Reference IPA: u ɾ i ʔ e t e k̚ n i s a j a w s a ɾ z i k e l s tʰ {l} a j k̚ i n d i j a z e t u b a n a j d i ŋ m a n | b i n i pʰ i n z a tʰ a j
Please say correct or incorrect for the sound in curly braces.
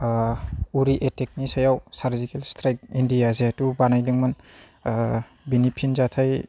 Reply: incorrect